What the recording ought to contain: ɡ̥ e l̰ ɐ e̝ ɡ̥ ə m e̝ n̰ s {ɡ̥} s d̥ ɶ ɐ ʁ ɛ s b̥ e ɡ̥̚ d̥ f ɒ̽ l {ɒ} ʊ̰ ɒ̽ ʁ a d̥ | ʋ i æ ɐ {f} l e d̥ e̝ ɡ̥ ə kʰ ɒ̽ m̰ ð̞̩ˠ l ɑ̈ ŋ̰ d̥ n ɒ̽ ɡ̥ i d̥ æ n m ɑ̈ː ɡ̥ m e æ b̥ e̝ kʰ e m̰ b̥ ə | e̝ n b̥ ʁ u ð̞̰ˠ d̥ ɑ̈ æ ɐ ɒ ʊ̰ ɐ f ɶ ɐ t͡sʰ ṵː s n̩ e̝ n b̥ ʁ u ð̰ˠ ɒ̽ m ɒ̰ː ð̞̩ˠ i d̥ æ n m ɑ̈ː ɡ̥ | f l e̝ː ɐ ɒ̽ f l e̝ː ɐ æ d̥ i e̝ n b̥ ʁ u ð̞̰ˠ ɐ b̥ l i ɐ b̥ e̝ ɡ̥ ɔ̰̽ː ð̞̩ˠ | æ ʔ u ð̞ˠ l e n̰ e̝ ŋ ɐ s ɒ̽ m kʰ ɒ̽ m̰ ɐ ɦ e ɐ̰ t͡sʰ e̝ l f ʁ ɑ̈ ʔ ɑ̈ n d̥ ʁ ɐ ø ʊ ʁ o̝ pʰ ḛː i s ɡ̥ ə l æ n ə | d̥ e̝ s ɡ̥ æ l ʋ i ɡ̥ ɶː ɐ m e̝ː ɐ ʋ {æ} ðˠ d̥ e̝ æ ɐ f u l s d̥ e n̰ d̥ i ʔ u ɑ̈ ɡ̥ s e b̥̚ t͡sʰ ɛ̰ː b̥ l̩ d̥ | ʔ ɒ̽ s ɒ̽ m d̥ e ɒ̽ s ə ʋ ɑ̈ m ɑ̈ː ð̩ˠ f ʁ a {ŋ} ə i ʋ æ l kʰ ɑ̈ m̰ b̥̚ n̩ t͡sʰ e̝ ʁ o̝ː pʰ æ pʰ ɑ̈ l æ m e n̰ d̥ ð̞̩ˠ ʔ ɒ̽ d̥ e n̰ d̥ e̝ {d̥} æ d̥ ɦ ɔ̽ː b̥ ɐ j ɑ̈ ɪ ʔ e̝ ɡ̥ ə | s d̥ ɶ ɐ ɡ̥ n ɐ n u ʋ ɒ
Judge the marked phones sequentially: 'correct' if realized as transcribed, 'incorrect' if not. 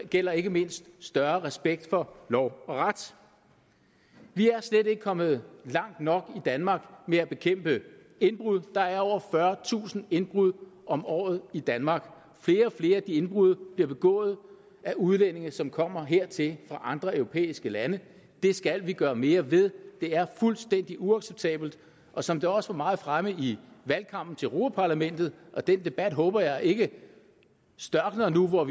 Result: incorrect, correct, incorrect, incorrect, incorrect, incorrect

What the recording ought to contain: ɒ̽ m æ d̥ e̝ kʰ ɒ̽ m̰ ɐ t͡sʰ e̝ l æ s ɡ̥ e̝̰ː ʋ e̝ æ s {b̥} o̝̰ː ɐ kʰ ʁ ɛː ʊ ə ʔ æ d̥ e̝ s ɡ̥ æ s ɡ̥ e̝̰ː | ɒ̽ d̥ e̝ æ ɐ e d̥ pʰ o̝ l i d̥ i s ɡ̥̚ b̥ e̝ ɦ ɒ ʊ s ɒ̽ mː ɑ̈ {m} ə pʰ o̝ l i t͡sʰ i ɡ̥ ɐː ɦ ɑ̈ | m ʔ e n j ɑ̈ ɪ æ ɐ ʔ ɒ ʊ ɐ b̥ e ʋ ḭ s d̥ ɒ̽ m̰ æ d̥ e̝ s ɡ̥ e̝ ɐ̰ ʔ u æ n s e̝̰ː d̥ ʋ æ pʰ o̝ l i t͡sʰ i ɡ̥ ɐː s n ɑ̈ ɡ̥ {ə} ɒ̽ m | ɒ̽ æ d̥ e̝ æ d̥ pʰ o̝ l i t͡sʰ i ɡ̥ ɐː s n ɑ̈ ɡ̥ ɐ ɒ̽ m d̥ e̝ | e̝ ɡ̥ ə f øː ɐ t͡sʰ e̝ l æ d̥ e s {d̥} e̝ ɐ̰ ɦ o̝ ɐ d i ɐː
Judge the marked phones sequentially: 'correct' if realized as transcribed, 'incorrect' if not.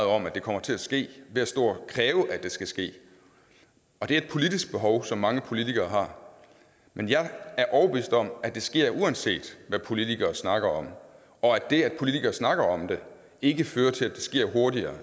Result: incorrect, incorrect, incorrect, incorrect

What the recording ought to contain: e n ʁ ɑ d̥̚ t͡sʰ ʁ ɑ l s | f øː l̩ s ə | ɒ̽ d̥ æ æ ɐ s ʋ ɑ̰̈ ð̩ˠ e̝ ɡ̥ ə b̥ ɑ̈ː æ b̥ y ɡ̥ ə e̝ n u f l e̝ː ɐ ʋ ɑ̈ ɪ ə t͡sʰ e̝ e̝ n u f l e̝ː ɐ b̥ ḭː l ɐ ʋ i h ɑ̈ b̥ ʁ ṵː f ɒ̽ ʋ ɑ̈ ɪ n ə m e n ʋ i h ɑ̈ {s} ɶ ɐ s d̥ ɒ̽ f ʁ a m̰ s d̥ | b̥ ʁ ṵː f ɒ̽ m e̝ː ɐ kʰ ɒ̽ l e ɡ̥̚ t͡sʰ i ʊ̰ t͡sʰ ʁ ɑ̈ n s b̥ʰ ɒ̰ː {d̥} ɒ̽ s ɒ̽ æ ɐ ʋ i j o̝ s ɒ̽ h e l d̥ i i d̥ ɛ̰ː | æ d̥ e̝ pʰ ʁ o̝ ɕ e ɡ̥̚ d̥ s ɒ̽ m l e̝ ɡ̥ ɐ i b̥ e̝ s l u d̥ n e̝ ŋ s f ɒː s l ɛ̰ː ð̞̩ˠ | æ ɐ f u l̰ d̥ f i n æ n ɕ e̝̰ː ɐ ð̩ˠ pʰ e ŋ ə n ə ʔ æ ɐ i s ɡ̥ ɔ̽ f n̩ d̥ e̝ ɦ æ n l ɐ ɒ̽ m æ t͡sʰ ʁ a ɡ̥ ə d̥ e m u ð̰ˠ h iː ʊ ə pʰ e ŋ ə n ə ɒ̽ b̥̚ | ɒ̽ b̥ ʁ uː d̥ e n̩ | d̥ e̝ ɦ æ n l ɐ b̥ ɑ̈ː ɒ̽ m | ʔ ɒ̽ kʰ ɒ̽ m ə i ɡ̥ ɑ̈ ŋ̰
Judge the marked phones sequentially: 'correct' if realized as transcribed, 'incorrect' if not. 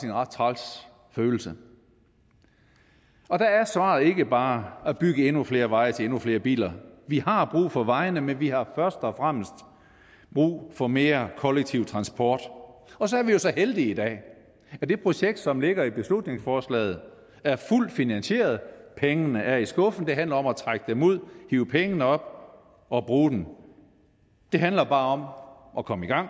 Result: incorrect, correct

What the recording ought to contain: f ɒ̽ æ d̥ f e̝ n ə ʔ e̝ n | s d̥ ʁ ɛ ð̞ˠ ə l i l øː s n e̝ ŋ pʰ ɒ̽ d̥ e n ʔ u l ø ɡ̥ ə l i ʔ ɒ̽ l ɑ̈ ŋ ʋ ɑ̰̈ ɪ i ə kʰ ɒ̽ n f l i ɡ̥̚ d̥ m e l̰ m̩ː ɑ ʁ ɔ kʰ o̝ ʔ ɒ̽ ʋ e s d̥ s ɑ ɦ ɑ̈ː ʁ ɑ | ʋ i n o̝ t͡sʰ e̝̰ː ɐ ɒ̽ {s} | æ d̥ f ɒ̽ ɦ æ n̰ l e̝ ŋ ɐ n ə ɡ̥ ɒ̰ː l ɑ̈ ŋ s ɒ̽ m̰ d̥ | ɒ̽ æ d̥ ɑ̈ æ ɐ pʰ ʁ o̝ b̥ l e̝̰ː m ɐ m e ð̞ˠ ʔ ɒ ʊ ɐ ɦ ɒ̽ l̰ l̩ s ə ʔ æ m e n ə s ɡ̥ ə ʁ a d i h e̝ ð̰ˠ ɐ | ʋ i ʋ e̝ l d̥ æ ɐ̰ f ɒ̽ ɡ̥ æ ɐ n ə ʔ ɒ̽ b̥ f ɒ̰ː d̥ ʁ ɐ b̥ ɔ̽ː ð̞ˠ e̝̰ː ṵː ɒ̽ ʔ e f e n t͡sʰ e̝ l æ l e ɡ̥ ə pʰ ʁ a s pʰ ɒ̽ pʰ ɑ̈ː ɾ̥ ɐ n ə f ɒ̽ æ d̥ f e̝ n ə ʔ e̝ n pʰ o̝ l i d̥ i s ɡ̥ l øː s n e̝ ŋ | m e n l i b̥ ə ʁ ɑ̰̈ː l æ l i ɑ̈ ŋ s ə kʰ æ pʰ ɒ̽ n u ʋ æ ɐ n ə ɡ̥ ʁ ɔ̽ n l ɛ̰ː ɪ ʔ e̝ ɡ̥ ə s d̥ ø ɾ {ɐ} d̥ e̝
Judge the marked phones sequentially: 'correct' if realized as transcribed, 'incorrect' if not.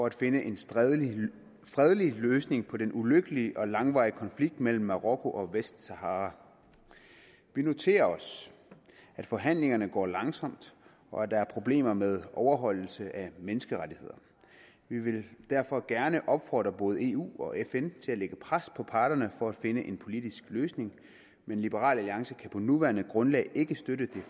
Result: correct, incorrect

